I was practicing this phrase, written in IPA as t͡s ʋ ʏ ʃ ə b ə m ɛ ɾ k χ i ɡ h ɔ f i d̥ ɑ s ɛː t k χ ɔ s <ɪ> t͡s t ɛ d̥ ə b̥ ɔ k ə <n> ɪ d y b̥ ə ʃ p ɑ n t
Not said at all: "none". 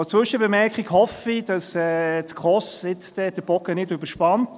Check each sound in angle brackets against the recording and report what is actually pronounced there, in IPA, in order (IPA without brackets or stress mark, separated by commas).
ɪ, n